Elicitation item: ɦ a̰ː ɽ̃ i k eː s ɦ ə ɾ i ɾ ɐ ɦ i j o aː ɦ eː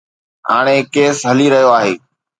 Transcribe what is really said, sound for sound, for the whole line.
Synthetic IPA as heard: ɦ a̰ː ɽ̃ e k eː s ɦ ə l i ɾ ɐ ɦ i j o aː ɦ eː

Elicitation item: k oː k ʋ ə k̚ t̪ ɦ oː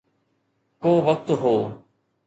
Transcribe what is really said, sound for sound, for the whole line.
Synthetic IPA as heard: k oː ʋ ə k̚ t̪ ɦ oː

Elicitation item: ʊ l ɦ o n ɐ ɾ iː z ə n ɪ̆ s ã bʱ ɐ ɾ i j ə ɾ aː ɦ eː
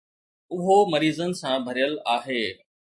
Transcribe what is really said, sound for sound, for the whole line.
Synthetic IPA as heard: ʊ ɦ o m ɐ ɾ iː z ə n ɪ̆ s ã bʱ ɐ ɾ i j ə l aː ɦ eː

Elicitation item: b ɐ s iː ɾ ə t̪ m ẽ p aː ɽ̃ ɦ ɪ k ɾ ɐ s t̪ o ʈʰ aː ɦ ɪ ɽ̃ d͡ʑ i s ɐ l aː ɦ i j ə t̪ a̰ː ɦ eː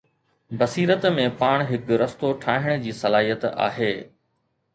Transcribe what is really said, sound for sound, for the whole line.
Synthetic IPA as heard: b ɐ s iː ɾ ə t̪ m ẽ p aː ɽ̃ ɦ ɪ k ɾ ɐ s t̪ o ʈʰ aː ɦ ɪ ɽ̃ d͡ʑ iː s ɐ l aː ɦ i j ə t̪ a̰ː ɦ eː

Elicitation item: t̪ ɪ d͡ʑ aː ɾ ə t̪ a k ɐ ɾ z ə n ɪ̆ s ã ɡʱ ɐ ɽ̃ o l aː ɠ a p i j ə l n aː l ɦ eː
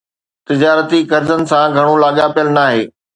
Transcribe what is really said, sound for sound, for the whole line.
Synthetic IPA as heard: t̪ ɪ d͡ʑ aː ɾ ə t̪ i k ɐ ɾ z ə n ɪ̆ s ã ɡʱ ɐ ɽ̃ o l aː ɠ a p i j ə l n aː ɦ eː

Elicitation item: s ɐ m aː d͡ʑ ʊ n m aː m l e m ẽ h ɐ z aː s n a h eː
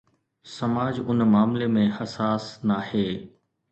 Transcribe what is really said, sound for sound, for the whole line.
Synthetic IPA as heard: s ɐ m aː d͡ʑ ʊ n m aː m l e m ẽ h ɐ s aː s n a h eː

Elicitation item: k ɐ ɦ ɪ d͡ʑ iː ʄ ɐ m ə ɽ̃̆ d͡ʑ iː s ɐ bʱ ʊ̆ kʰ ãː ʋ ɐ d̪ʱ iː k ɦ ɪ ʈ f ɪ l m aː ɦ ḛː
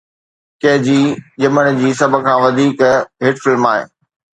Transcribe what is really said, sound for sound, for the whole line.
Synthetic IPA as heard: k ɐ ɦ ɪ d͡ʑ iː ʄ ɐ m ə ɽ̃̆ d͡ʑ iː s ɐ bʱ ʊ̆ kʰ ãː ʋ ɐ d̪ʱ iː k ɦ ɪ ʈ f ɪ l m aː ɦ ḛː

